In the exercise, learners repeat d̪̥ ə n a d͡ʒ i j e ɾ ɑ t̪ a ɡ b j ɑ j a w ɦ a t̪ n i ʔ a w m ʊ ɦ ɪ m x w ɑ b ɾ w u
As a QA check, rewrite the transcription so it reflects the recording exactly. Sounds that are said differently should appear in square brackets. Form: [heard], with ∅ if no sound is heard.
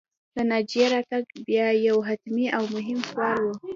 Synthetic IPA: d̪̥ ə n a d͡ʒ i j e ɾ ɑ t̪ a ɡ b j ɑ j a w ɦ a t̪ [m] i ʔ a w m ʊ ɦ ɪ m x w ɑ [∅] ɾ w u